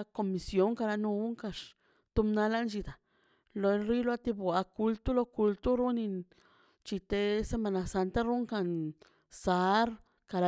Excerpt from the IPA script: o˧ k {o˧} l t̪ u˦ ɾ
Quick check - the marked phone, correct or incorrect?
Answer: incorrect: u˧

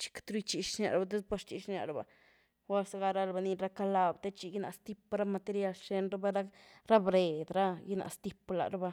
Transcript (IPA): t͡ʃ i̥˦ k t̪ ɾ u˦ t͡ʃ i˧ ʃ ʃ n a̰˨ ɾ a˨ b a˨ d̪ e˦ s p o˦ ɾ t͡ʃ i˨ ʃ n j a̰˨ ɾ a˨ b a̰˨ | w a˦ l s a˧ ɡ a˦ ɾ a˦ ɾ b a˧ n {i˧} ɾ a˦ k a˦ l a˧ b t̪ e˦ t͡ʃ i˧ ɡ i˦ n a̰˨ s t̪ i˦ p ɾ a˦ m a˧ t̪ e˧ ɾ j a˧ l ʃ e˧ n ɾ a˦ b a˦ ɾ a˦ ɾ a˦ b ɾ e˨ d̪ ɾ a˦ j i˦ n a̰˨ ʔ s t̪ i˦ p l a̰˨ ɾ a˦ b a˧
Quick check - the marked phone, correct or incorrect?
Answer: correct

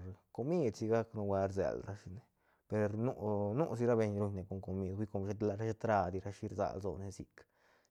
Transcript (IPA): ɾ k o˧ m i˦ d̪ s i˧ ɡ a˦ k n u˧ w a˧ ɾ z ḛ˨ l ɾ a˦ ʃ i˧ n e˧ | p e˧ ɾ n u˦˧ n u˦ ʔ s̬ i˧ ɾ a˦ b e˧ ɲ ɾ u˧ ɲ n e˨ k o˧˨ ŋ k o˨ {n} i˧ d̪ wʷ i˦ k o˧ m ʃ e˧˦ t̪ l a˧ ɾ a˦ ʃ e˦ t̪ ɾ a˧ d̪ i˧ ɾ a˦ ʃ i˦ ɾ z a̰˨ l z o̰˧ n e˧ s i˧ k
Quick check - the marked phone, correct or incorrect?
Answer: incorrect: m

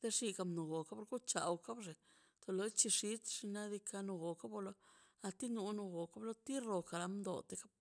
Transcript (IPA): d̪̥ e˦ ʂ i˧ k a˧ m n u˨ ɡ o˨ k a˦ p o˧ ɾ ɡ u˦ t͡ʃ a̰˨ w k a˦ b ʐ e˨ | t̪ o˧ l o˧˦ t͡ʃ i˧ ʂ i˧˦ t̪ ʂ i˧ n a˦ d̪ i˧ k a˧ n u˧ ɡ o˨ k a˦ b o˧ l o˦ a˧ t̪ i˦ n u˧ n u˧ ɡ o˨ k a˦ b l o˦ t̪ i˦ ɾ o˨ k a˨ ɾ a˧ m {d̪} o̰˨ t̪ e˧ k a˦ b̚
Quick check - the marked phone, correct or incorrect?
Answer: correct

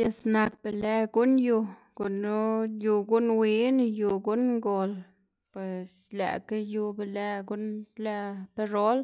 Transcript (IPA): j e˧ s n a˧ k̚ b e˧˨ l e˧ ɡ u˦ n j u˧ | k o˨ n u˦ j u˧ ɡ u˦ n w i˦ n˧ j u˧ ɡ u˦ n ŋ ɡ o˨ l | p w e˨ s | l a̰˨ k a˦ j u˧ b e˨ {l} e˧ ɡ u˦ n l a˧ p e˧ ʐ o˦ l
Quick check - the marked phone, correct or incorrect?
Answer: correct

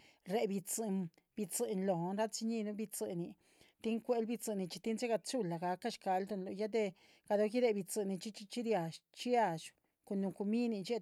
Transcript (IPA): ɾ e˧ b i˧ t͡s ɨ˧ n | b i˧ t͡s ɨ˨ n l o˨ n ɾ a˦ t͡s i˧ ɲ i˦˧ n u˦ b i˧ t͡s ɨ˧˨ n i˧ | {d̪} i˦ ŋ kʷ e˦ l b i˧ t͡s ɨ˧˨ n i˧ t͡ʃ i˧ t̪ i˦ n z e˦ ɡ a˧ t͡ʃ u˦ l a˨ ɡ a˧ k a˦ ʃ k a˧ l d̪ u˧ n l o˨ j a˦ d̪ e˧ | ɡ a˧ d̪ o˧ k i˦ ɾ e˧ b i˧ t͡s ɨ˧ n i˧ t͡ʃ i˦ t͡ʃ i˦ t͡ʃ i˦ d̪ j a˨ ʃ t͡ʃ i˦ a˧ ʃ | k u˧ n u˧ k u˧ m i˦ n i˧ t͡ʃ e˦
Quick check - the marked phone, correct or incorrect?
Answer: incorrect: t̪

